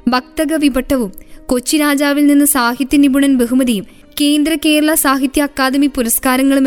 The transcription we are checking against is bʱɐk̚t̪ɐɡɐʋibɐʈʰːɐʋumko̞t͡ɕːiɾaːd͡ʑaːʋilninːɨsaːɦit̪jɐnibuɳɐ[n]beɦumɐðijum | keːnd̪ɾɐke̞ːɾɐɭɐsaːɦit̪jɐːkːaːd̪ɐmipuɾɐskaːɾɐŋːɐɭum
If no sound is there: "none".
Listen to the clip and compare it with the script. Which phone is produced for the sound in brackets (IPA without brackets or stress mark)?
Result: n